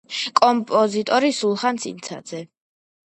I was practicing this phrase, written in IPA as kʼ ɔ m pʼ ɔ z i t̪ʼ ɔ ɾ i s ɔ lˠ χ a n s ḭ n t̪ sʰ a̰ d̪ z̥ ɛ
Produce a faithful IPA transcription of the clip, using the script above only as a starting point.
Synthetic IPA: kʼ ɔ m pʼ ɔ z i t̪ʼ ɔ ɾ i s u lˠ χ a n s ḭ n t̪ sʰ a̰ d̪ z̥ ɛ